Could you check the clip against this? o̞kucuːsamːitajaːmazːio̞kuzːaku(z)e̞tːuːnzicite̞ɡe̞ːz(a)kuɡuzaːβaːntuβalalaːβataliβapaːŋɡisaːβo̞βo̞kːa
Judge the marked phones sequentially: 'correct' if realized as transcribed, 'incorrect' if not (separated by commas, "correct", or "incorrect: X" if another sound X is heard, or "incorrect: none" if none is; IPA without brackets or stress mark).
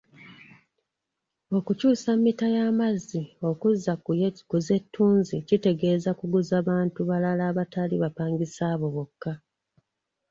correct, correct